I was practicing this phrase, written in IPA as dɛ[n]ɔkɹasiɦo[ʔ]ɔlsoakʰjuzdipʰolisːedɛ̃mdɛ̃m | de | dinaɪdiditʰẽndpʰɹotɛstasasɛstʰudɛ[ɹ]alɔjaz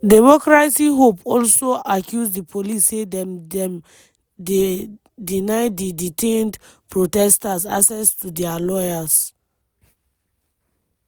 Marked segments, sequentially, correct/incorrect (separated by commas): incorrect, incorrect, incorrect